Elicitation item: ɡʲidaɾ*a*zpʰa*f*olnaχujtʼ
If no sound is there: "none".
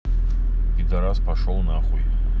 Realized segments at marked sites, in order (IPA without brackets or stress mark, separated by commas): a, ʂ